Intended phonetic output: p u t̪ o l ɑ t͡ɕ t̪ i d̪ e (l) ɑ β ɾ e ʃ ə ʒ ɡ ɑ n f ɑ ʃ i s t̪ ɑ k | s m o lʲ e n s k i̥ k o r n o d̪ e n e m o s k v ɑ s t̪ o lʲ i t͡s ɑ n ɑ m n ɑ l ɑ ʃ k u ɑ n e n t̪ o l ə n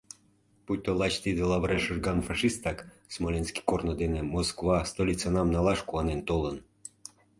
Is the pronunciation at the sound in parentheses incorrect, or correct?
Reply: correct